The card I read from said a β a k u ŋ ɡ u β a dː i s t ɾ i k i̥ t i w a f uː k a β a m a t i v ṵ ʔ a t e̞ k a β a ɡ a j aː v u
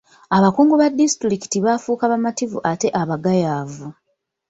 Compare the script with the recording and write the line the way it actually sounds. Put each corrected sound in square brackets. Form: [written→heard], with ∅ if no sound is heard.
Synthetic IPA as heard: a β a k [u→uː] ŋ ɡ u β a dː i s t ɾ i k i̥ t i [w→β] a f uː k a β a m a t i v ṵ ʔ a t e̞ [k→ʔ] a β a ɡ a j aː v u